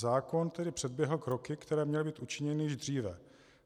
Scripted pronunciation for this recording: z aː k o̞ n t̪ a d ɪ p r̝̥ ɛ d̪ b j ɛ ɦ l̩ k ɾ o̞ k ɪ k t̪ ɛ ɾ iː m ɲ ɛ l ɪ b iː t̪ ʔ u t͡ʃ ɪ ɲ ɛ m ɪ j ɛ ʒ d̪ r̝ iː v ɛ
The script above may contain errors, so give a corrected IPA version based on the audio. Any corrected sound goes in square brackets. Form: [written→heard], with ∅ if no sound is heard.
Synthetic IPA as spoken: z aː k o̞ n t̪ [a→ɛ] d ɪ p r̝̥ ɛ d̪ b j ɛ ɦ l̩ k ɾ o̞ k ɪ k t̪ ɛ ɾ [iː→ɛː] m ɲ ɛ l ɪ b iː t̪ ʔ u t͡ʃ ɪ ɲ ɛ [m→n] ɪ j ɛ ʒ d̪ r̝ iː v ɛ